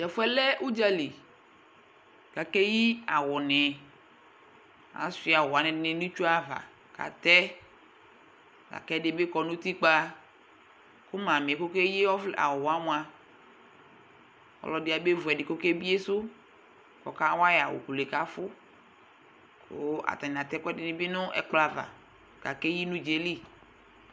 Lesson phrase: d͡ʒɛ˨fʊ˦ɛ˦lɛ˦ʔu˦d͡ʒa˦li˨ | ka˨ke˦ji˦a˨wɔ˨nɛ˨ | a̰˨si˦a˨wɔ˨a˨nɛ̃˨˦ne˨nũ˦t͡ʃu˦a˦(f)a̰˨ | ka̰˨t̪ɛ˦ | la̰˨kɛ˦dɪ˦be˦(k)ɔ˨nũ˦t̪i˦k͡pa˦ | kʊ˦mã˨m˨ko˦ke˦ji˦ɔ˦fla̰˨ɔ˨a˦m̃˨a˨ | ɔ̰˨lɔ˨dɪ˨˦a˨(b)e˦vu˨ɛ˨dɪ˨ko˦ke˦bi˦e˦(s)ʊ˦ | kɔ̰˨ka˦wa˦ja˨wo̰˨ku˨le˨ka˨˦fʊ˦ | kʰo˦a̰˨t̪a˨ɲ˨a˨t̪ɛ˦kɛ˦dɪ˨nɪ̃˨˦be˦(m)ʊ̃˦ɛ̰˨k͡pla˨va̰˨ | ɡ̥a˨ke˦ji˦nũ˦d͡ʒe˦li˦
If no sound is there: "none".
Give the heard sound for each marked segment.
v, k, b, s, n

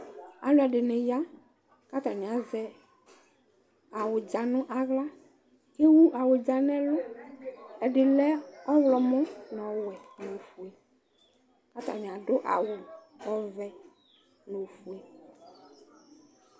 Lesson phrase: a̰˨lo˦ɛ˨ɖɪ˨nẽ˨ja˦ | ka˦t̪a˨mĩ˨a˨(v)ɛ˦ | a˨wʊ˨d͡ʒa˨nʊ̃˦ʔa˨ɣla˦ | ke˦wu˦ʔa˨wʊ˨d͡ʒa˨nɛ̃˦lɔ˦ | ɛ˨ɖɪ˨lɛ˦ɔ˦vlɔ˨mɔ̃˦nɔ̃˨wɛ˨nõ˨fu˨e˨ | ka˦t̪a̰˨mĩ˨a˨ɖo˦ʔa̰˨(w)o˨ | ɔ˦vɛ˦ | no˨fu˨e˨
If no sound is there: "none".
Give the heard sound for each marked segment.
z, w

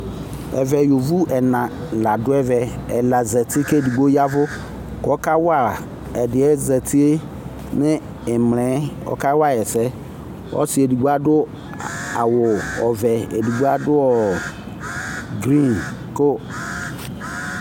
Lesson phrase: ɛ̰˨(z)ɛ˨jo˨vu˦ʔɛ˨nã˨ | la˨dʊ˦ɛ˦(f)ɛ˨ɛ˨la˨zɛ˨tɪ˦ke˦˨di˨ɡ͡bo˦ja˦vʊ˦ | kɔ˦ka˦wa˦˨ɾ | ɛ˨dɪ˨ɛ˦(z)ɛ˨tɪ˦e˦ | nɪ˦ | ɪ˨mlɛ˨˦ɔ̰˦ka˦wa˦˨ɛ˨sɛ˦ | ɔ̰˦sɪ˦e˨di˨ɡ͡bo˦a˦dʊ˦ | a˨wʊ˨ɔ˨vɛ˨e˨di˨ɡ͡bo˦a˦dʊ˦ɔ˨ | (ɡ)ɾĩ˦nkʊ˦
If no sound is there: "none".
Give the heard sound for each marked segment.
v, v, z, ɡ

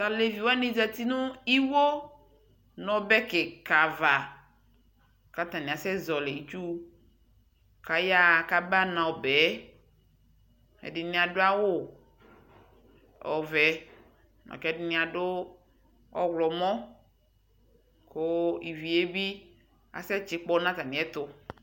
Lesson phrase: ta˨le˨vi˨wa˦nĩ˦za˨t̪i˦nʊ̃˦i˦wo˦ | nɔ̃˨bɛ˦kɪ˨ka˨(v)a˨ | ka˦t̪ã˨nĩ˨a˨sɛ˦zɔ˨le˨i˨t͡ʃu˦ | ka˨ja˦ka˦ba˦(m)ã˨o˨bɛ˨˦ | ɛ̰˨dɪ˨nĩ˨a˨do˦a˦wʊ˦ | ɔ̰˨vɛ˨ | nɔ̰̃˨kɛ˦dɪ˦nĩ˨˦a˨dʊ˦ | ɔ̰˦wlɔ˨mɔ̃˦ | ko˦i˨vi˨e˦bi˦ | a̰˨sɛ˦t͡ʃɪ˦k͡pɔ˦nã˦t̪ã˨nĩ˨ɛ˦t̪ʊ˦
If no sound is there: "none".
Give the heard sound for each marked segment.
v, n

